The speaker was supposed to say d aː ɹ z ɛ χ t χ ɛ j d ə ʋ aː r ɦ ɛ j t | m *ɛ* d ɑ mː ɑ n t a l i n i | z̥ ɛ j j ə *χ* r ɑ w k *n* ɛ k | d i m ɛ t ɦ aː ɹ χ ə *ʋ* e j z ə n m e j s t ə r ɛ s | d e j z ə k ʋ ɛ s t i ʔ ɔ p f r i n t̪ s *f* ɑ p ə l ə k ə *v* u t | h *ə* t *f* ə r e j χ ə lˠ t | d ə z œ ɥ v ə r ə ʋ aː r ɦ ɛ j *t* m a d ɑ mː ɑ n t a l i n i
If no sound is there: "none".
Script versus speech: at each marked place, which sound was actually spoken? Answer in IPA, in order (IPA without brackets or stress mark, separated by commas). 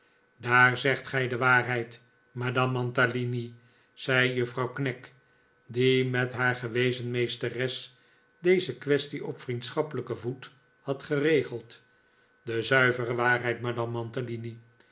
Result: a, f, n, ʋ, χ, v, ɑ, χ, t